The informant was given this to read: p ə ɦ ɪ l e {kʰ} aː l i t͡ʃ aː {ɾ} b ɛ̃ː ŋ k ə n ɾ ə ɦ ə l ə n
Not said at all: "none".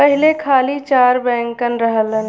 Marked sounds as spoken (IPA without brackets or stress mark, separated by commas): kʰ, ɾ